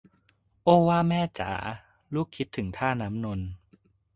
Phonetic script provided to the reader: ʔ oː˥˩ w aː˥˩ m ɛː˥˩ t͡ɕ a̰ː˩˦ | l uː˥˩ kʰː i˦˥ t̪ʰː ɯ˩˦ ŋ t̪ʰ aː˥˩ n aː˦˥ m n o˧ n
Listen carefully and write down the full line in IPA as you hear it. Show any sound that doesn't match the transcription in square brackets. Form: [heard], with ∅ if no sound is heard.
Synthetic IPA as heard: ʔ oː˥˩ w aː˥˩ m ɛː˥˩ t͡ɕ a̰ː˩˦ | l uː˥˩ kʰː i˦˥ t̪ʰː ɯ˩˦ ŋ t̪ʰ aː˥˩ n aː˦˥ m n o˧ n